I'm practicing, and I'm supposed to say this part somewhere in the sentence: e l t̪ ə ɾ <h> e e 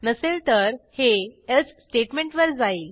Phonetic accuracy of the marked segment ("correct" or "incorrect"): correct